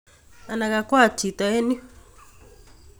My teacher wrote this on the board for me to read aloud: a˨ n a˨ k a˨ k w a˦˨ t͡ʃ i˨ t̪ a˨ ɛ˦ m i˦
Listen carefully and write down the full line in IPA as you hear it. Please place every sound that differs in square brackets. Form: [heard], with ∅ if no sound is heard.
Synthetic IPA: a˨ n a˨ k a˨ k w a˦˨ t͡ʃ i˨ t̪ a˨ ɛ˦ [n] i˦